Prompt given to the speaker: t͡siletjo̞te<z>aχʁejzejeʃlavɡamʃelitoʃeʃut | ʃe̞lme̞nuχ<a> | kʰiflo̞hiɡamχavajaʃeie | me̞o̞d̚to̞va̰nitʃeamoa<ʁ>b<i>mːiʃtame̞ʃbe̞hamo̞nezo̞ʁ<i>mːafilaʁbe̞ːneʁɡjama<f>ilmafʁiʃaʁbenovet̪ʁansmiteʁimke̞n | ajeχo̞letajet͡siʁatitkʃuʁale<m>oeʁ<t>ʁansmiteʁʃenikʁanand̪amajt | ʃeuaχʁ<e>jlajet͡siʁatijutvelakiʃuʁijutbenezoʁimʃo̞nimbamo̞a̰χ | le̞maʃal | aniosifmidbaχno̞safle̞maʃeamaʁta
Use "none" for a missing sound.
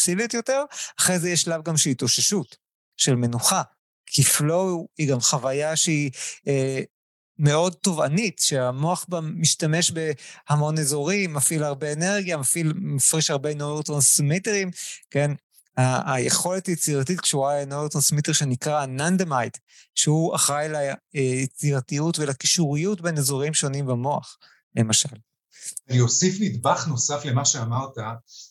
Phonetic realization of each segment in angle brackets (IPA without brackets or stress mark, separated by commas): ʁ, a, χ, a, i, f, n, t, a